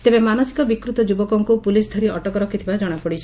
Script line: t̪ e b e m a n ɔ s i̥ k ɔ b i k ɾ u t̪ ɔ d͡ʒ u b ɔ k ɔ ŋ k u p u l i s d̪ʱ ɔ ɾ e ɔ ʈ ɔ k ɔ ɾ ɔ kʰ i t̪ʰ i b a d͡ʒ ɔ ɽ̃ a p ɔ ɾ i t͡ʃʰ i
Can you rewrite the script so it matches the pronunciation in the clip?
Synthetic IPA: t̪ e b e m a n ɔ s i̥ k ɔ b i k ɾ u t̪ ɔ d͡ʒ u b ɔ k ɔ ŋ k u p u l i s d̪ʱ ɔ ɾ i ɔ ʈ ɔ k ɔ ɾ ɔ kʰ i t̪ʰ i b a d͡ʒ ɔ ɽ̃ a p ɔ ɽ i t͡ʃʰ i